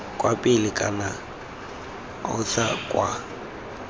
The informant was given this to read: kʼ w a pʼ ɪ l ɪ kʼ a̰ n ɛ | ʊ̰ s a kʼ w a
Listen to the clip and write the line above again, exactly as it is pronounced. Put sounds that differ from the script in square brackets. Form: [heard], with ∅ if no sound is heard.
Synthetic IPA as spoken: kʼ w a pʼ ɪ l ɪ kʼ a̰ n [a] | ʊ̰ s a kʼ w a